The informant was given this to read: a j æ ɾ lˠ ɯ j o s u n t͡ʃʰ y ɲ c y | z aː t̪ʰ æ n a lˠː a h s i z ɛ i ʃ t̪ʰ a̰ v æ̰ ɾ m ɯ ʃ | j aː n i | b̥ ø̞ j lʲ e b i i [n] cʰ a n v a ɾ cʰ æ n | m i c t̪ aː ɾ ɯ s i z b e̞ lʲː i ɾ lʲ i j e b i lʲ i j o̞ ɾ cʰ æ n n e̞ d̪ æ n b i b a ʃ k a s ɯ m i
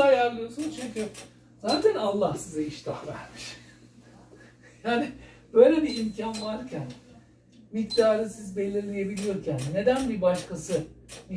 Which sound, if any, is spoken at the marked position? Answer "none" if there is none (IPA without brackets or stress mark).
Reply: m